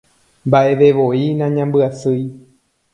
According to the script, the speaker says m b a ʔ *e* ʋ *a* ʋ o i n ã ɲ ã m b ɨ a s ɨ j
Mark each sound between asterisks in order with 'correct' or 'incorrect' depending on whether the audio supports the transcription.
correct, incorrect

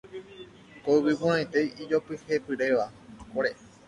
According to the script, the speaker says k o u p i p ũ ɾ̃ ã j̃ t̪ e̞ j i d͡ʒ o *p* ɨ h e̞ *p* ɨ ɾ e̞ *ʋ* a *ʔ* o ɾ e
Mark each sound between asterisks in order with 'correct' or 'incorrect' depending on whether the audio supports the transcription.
correct, correct, correct, incorrect

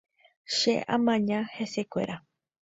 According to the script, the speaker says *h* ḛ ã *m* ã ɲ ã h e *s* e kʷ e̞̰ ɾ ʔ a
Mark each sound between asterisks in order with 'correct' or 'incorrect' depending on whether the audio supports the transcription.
incorrect, correct, correct

